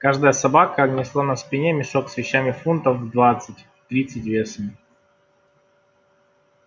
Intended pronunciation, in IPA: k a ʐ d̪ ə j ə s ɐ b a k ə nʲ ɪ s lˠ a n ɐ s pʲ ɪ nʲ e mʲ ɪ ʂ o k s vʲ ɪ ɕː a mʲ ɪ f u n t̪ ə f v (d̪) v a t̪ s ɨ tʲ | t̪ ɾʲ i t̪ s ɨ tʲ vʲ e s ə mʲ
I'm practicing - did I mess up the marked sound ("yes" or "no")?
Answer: no